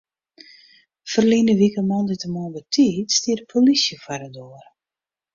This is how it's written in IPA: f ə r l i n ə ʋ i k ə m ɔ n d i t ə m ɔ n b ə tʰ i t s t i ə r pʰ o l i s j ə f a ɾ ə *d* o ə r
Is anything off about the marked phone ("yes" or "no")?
no